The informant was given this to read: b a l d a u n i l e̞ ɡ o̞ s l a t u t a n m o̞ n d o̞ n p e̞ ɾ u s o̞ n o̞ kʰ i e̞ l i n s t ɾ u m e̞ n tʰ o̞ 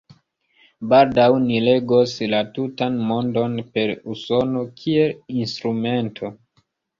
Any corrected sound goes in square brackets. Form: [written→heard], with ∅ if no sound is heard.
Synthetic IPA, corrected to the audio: b a l d a [u→w] n i l e̞ ɡ o̞ s l a t u t a n m o̞ n d o̞ n p e̞ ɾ u s o̞ n o̞ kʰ i e̞ l i n s t ɾ u m e̞ n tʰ o̞